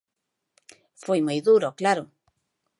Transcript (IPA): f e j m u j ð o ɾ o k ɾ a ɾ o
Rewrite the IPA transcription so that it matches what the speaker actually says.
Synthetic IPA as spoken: f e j m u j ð u ɾ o k l a ɾ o